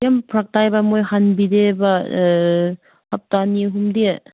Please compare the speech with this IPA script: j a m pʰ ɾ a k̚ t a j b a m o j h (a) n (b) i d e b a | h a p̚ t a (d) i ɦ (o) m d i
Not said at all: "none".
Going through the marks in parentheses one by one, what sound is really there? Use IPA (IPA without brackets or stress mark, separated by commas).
a, b, n, u